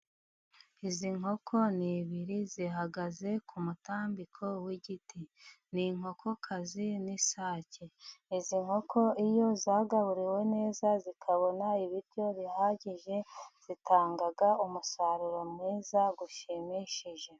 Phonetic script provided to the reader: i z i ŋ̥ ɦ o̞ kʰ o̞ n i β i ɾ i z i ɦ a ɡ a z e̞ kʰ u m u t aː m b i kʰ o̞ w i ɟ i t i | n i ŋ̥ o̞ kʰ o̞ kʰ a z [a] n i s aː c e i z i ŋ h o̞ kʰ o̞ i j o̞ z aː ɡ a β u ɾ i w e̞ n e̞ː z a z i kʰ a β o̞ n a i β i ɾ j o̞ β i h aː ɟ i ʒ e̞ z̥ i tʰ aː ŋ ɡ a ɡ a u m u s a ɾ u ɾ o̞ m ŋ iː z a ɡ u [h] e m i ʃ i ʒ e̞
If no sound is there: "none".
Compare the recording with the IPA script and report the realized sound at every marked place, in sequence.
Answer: i, ʃ

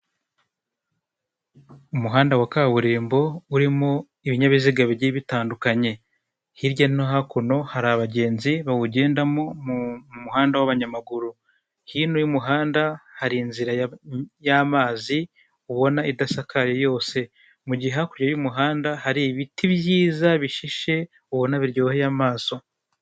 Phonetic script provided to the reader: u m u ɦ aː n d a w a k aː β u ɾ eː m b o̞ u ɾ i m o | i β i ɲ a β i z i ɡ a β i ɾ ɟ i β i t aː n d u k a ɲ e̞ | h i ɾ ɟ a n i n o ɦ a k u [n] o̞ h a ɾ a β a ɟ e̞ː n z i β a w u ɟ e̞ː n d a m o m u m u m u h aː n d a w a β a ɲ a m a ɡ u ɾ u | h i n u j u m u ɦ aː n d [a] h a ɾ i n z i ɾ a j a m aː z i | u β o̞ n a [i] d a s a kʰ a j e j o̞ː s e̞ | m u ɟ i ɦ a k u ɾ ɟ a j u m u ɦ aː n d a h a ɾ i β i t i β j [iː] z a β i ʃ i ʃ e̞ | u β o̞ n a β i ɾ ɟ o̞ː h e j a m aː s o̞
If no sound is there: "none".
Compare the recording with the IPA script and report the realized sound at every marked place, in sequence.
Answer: n, a, i, iː

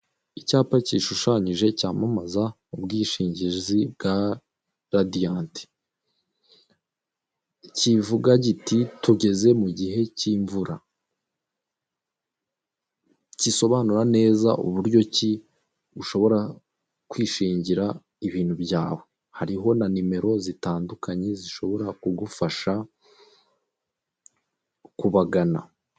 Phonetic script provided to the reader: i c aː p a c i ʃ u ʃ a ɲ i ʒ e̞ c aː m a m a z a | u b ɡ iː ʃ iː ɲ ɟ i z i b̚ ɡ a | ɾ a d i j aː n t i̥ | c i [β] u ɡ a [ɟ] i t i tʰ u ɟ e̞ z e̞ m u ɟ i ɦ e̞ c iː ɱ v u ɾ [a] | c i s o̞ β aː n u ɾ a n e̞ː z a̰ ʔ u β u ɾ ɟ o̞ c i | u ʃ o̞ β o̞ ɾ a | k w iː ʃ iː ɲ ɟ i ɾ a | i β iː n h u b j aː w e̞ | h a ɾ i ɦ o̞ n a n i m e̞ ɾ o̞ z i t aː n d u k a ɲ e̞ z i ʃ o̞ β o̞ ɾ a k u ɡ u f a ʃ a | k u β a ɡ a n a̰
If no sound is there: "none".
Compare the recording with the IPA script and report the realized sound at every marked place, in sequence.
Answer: v, ɟ, a

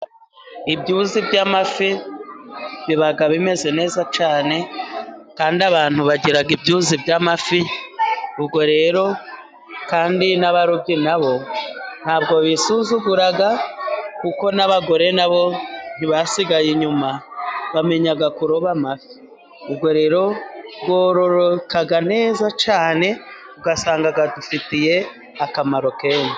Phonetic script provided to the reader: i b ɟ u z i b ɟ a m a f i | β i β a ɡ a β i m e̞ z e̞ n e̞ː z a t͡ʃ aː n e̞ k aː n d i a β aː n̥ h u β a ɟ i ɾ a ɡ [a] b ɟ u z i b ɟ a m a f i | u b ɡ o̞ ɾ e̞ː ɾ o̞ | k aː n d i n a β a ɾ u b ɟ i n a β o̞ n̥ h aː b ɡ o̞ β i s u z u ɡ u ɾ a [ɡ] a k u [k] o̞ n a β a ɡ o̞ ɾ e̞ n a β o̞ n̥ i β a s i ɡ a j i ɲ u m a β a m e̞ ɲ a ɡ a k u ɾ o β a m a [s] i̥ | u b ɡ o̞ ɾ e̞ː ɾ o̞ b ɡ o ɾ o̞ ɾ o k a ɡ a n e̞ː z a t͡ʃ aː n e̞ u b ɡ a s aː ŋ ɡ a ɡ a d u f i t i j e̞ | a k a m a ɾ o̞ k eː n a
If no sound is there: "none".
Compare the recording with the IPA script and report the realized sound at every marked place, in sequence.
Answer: i, ɡ, k, f

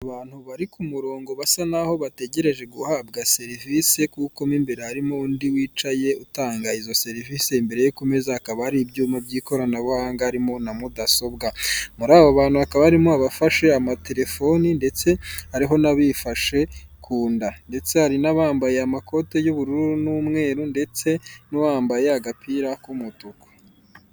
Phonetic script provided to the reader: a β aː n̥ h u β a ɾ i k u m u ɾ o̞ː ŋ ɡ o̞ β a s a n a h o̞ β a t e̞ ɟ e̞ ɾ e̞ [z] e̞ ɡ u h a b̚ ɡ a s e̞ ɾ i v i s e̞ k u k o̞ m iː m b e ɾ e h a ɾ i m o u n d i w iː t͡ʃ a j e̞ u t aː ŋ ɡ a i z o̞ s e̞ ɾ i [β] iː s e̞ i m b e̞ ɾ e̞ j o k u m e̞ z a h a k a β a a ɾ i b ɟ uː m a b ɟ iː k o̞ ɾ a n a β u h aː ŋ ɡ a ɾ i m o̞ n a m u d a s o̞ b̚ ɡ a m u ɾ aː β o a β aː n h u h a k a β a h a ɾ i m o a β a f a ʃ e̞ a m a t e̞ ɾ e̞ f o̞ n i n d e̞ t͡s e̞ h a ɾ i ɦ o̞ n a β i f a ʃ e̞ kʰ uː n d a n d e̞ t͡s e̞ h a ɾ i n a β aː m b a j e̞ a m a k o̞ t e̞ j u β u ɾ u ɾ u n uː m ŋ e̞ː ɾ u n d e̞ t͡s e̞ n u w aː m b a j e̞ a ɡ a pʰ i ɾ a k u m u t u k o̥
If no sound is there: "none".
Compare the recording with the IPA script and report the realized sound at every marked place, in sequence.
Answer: ʒ, v

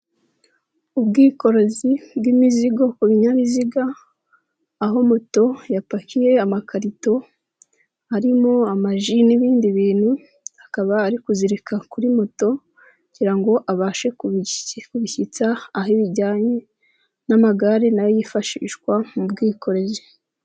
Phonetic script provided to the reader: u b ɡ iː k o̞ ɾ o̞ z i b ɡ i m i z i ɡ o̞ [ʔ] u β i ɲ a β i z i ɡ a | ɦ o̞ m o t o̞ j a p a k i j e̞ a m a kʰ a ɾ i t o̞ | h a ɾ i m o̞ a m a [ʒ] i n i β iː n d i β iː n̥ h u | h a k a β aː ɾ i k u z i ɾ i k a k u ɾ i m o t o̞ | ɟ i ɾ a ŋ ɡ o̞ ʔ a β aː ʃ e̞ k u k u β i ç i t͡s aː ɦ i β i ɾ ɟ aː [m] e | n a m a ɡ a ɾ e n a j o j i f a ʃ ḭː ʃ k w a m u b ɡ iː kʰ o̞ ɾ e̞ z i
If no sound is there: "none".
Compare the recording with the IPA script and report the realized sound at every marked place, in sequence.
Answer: k, ʒ, ɲ

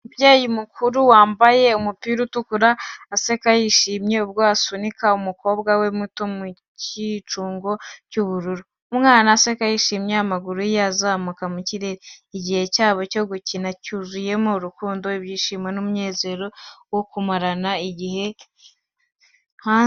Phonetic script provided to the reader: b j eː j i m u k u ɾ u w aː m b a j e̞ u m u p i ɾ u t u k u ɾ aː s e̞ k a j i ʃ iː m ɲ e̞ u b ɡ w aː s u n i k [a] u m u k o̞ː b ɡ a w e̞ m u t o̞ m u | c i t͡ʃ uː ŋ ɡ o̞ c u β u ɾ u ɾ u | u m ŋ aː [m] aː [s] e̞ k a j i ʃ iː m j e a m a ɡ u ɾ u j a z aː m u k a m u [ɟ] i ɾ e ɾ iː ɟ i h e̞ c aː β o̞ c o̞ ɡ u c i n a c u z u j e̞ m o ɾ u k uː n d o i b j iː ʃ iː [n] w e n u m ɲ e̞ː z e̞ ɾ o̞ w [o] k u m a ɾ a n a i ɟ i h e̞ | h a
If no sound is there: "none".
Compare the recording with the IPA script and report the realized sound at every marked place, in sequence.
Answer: a, n, s, c, m, o

